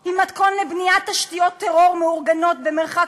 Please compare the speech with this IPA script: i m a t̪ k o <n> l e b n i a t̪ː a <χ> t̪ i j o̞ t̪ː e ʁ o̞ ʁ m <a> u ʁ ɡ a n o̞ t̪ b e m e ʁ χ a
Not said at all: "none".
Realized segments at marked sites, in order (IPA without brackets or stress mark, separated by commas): n, ʃ, e